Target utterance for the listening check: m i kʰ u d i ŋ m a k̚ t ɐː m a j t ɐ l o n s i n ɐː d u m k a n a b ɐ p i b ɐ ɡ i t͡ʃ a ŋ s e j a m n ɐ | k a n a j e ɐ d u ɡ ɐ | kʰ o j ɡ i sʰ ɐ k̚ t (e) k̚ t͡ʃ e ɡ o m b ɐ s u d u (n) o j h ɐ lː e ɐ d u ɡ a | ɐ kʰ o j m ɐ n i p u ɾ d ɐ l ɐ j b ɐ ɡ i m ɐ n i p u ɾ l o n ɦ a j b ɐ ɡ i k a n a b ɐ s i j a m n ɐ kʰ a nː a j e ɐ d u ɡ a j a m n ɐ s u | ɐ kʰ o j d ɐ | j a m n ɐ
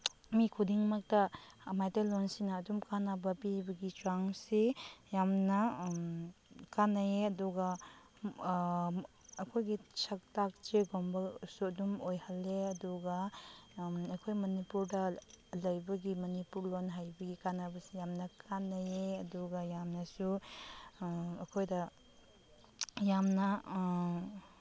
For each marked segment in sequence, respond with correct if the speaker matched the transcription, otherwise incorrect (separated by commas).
incorrect, incorrect